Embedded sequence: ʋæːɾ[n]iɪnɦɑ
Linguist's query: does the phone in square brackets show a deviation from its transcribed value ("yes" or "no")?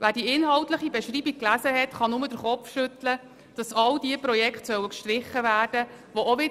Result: yes